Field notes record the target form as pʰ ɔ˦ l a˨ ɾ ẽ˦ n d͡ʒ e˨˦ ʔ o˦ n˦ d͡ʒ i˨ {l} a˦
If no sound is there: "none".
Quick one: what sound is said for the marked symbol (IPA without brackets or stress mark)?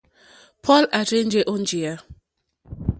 none